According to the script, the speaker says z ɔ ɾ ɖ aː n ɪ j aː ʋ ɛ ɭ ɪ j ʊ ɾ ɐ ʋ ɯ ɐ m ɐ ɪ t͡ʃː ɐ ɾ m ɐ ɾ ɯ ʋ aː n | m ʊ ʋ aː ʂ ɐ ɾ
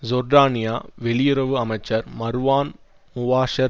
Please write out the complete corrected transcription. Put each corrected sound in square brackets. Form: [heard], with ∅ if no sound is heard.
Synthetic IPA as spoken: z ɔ ɾ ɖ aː n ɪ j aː ʋ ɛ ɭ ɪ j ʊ ɾ ɐ ʋ ɯ ɐ m ɐ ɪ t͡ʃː ɐ ɾ m ɐ ɾ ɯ ʋ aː n | m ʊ ʋ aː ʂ ɐ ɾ